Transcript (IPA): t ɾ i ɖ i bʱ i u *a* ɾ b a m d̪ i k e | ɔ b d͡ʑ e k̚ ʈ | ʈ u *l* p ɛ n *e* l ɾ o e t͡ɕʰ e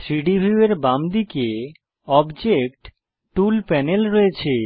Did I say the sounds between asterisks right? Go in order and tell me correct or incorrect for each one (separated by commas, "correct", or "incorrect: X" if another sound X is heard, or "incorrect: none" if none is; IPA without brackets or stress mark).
incorrect: e, correct, correct